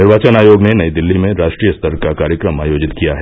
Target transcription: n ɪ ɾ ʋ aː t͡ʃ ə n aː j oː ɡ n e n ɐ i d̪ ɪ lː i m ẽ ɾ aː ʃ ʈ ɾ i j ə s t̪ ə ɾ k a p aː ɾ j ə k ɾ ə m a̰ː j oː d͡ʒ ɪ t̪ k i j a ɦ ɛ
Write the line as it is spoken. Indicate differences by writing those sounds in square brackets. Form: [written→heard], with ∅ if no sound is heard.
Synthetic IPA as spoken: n ɪ ɾ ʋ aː t͡ʃ ə n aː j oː ɡ n e n ɐ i d̪ ɪ lː i m ẽ ɾ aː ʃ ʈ ɾ i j ə s t̪ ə ɾ k a [p→k] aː ɾ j ə k ɾ ə m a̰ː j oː d͡ʒ ɪ t̪ k i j a ɦ ɛ